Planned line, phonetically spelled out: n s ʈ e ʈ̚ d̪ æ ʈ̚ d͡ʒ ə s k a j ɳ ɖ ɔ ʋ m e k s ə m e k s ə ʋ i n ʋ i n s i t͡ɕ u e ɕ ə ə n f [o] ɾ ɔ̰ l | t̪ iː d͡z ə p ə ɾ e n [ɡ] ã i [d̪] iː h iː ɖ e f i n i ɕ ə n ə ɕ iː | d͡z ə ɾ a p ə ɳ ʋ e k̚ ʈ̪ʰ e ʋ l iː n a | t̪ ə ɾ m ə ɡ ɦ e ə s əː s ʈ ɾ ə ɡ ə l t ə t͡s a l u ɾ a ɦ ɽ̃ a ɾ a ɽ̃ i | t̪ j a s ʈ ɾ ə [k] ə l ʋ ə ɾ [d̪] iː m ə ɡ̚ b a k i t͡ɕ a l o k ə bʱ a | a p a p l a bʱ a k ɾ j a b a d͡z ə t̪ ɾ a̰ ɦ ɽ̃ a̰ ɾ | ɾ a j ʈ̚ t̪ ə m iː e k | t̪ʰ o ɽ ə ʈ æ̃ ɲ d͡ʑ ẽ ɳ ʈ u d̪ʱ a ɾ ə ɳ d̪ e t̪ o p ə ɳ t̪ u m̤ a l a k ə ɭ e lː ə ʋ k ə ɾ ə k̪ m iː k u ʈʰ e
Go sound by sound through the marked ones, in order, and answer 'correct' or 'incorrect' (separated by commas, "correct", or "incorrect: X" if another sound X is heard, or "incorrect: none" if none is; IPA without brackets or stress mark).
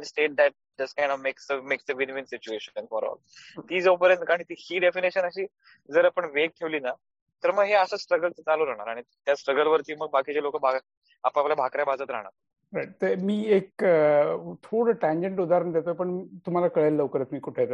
incorrect: ɔ, incorrect: k, incorrect: t̪, incorrect: ɡ, incorrect: t̪